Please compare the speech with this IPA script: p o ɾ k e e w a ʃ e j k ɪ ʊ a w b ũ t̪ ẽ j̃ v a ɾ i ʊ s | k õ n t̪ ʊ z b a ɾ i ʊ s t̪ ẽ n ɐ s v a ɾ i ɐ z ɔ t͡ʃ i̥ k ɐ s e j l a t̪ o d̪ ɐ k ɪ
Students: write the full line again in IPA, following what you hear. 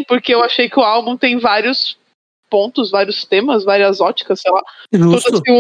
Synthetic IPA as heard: p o ɾ k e e w a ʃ e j k ɪ ʊ a w b ũ t̪ ẽ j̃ v a ɾ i ʊ s | p õ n t̪ ʊ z v a ɾ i ʊ s t̪ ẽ m ɐ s v a ɾ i ɐ z ɔ t͡ʃ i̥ k ɐ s e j l a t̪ o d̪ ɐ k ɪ